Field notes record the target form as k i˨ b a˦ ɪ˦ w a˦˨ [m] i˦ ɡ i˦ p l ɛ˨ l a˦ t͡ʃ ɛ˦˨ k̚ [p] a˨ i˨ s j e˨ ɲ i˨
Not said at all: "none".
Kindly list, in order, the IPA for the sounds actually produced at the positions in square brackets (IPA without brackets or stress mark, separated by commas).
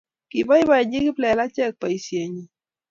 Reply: ɲ, p